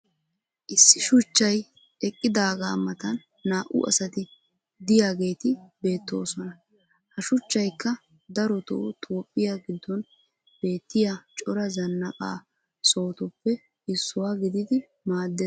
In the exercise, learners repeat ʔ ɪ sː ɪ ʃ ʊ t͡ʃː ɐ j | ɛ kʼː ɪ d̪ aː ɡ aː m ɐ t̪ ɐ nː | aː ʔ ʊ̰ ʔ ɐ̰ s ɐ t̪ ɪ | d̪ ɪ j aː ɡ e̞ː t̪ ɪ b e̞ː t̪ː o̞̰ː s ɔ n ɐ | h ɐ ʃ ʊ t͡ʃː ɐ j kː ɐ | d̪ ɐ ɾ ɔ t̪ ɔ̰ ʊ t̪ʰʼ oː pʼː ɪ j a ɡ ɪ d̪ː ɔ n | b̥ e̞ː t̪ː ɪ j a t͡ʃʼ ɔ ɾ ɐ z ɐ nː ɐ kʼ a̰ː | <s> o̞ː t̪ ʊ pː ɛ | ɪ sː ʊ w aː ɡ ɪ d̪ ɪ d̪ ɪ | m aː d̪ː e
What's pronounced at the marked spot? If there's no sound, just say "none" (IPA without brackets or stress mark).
s